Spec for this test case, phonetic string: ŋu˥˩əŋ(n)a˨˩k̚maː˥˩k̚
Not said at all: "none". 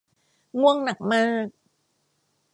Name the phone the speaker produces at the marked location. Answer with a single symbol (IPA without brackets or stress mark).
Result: n